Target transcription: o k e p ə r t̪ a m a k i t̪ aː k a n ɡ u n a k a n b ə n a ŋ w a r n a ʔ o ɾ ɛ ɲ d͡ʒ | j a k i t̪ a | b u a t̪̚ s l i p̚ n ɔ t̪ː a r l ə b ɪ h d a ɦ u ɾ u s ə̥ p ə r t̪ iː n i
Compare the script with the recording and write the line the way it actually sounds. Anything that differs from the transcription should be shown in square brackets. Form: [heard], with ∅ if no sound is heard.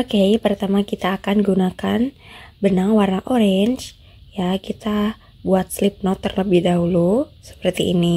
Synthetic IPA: o k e p ə r t̪ a m a k i t̪ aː k a n ɡ u n a k a n b ə n a ŋ w a r n a ʔ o ɾ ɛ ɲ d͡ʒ | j a k i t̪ a | b u a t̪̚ s l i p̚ n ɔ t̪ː [ə] r l ə b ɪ h d a ɦ u [l] u s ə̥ p ə r t̪ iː n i

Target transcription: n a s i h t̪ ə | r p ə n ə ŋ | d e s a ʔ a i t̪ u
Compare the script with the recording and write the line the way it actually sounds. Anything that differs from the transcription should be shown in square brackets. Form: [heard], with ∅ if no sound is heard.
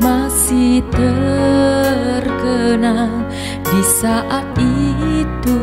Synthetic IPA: [m] a s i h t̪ ə | r [k] ə n [a] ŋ | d [i] s a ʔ a i t̪ u

